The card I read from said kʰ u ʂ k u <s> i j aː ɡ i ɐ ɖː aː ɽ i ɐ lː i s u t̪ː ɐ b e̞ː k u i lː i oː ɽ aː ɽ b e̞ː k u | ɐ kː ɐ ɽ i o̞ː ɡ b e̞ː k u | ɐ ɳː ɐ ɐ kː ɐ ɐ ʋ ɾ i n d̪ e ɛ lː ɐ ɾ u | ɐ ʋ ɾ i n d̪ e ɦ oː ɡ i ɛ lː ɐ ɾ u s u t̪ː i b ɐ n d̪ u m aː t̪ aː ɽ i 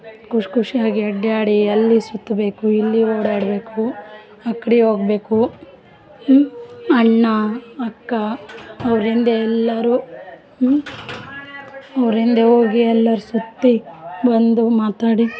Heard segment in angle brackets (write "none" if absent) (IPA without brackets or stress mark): ʂ